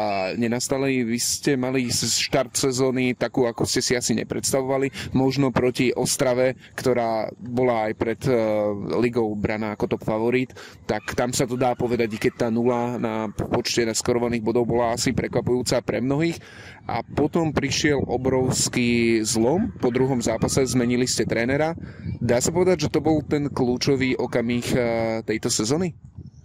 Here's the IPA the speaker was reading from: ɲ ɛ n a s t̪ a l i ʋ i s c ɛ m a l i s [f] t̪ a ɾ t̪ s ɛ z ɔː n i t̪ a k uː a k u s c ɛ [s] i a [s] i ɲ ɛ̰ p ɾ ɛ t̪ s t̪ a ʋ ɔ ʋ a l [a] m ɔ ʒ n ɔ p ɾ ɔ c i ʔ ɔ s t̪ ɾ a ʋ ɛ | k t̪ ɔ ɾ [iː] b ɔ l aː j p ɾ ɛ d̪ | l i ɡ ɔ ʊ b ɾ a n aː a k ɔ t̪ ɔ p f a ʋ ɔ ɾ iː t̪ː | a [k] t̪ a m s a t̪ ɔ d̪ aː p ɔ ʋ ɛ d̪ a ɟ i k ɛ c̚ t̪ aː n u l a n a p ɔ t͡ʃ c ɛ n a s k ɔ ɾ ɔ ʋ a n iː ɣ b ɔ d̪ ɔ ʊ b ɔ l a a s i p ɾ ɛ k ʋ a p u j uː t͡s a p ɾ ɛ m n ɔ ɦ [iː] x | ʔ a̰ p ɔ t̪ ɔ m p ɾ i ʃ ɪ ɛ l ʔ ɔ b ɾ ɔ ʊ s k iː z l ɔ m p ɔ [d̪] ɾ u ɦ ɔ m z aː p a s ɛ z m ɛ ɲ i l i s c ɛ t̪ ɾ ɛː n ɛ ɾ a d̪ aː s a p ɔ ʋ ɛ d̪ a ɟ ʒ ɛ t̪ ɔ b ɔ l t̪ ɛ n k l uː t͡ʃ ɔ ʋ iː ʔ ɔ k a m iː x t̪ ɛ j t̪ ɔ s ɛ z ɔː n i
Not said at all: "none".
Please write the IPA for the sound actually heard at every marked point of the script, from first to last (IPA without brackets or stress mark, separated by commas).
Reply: ʃ, s, s, i, aː, k, iː, d̪